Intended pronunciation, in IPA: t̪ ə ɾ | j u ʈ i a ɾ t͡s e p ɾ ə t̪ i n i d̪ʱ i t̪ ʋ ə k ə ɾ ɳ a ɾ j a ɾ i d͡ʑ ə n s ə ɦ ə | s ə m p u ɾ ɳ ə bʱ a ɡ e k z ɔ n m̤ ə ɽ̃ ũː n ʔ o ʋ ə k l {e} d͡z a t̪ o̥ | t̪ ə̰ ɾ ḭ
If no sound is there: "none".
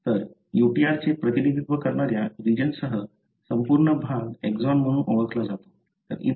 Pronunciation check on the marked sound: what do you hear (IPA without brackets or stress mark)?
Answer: a